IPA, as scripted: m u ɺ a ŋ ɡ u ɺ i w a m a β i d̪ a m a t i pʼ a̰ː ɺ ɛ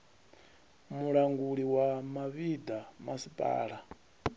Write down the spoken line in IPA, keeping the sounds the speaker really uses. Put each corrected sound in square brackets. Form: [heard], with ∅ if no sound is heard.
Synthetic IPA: m u ɺ a ŋ ɡ u ɺ i w a m a β i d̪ a m a [s] i pʼ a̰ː ɺ [a]